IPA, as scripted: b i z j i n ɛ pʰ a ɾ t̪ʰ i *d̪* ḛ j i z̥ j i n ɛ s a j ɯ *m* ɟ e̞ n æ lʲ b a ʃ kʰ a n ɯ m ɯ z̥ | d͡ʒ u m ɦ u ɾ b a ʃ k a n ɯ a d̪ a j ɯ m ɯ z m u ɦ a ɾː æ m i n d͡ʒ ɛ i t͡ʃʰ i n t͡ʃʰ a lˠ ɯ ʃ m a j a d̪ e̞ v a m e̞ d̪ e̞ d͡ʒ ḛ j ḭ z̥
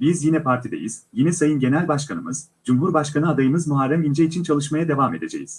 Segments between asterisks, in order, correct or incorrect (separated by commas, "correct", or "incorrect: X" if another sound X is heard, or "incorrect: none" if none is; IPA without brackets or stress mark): correct, incorrect: n